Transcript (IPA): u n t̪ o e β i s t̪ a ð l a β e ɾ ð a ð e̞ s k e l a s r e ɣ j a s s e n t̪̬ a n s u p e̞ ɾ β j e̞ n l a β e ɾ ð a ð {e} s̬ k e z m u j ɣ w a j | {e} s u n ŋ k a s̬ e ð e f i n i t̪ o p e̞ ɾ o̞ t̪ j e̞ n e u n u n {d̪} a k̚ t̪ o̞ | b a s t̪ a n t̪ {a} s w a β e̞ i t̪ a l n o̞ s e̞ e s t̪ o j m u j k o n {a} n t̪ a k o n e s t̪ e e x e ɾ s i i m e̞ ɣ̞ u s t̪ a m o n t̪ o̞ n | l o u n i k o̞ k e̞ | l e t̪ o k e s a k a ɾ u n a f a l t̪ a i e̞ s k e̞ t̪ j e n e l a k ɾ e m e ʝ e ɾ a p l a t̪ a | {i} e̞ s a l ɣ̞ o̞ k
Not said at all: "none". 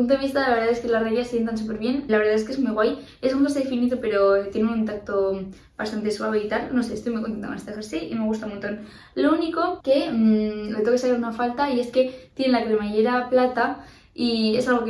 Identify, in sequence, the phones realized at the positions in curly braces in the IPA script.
e, e, t̪, e, e, i

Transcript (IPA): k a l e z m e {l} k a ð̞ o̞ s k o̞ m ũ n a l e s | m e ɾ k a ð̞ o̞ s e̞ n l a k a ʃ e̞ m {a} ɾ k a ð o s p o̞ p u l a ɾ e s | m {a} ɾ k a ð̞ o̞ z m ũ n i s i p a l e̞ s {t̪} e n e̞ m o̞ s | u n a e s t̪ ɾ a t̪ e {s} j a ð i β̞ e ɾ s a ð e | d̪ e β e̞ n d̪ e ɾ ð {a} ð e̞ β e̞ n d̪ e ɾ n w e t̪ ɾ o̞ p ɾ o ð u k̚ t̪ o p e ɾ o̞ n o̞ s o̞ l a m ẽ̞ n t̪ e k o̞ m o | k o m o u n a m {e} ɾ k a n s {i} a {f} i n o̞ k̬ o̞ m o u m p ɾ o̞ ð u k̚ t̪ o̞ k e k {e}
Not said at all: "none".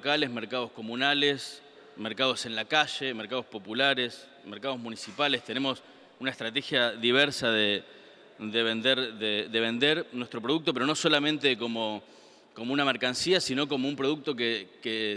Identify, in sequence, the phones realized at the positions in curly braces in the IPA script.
ɾ, e, e, t̪, x, e, e, i, s, e

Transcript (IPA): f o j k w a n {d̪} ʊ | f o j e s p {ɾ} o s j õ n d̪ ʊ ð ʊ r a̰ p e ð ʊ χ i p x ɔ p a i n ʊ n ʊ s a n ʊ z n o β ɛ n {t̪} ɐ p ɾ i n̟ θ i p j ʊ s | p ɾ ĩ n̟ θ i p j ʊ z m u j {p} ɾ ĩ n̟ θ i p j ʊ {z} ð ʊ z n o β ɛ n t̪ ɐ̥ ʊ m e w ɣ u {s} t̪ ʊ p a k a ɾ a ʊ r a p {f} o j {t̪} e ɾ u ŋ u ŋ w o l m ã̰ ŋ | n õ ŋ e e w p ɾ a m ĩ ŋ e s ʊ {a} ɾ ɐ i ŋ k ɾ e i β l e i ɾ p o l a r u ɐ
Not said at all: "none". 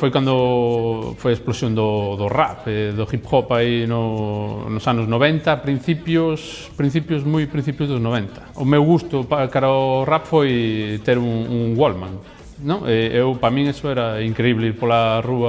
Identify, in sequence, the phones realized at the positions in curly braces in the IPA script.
d̪, l, t̪, p, z, s, f, t̪, ɛ

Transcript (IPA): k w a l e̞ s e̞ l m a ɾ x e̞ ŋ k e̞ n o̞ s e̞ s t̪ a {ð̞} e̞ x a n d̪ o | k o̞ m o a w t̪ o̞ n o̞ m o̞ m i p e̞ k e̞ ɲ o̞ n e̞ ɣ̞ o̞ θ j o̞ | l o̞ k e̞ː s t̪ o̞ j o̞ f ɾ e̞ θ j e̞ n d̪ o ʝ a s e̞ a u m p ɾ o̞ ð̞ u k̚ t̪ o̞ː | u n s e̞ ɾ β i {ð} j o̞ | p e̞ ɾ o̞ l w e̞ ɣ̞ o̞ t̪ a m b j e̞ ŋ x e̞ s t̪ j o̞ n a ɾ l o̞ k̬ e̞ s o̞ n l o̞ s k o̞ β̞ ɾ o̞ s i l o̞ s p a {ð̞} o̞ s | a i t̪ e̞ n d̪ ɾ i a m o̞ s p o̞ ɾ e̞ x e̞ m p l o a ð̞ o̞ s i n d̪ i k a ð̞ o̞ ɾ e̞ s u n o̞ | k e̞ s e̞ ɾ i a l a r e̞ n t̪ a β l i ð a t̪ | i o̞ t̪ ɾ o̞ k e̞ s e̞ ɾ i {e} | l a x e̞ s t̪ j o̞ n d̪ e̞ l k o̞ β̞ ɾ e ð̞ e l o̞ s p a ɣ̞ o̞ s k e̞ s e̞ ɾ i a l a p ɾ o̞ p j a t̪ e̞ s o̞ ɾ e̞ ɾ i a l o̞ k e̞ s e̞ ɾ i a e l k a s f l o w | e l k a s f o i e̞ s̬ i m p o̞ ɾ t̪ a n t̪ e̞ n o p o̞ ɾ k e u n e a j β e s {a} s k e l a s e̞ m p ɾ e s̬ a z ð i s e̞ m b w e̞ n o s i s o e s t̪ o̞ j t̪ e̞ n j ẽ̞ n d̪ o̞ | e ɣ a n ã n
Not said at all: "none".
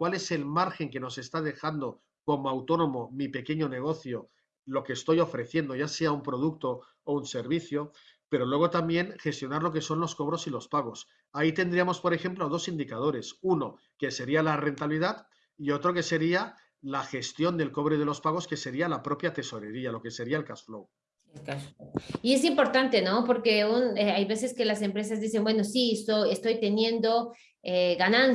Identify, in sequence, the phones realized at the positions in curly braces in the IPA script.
ð̞, θ, ɣ̞, a, e

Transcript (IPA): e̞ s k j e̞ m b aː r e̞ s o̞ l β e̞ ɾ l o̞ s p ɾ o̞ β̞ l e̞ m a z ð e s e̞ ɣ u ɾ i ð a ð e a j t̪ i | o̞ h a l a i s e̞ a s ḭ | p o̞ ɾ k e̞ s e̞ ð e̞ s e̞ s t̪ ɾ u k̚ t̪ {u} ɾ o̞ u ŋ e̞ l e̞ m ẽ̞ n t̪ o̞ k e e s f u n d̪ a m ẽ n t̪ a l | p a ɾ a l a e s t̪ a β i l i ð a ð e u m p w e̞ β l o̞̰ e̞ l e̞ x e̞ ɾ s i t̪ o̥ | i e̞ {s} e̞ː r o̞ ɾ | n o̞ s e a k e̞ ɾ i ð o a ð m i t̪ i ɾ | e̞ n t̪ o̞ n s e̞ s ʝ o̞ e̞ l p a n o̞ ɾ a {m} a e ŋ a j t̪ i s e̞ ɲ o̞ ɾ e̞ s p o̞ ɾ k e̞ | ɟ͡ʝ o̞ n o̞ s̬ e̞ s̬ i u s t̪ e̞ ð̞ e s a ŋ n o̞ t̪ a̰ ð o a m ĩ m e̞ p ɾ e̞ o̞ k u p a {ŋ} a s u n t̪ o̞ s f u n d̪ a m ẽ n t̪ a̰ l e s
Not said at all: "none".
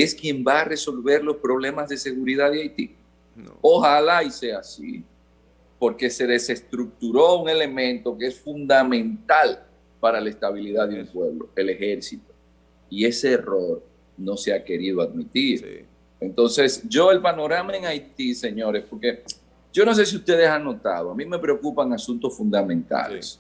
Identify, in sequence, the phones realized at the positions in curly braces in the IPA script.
u, s, m, ŋ

